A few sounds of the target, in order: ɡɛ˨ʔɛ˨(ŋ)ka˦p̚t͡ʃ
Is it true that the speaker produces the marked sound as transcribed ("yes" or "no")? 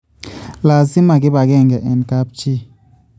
no